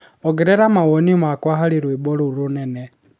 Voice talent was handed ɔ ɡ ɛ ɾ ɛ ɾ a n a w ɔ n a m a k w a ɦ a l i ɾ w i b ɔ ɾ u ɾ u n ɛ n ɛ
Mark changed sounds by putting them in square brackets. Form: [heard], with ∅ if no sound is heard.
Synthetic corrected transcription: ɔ ɡ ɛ ɾ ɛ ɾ a [m] a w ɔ n [i] m a k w a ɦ a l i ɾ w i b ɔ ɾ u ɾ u n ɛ n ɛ